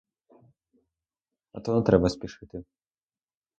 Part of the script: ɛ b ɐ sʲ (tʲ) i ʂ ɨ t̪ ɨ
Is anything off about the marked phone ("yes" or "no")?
yes